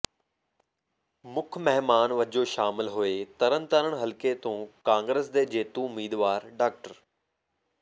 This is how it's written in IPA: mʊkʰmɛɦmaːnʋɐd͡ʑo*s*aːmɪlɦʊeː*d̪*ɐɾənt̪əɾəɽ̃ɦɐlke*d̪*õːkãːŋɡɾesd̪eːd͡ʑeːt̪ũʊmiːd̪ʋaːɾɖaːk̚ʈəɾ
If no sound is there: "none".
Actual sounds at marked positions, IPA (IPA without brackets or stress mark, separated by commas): ʃ, t̪, t̪